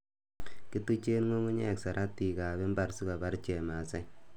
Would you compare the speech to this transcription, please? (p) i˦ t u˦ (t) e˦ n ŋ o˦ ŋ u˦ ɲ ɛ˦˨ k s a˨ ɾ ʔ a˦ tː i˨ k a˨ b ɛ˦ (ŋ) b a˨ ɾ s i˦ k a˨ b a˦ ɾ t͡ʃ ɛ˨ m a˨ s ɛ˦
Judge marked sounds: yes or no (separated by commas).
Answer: no, no, no